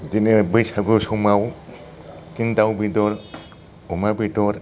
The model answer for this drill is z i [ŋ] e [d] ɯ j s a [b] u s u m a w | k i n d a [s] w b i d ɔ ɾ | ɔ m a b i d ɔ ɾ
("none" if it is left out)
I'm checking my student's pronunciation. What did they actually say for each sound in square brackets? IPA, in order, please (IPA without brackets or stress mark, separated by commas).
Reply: n, b, ɡ, none